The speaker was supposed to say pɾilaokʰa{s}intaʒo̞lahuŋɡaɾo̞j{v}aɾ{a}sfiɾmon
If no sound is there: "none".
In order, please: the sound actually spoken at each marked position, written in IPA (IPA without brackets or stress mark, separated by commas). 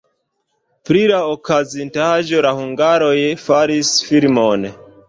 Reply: z, f, i